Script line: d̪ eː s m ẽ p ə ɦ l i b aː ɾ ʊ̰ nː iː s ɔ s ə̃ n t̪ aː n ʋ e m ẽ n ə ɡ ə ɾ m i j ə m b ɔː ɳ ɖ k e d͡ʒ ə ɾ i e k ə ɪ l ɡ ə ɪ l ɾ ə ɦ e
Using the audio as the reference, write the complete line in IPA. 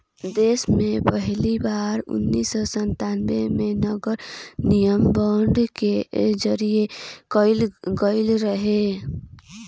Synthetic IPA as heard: d̪ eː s m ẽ p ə ɦ l i b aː ɾ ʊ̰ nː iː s ɔ s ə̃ n t̪ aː n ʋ e m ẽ n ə ɡ ə ɾ n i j ə m b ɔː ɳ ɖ k e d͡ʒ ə ɾ i e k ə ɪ l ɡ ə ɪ l ɾ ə ɦ e